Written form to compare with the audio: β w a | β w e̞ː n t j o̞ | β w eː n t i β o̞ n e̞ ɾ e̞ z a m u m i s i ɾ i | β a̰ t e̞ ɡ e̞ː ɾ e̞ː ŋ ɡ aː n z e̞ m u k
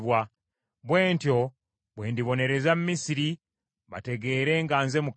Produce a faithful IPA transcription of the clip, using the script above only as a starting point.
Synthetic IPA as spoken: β w a | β w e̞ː n t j o̞ | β w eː n d i β o̞ n e̞ ɾ e̞ z a m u m i s i ɾ i | β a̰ t e̞ ɡ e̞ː ɾ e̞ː ŋ ɡ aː n z e̞ m u k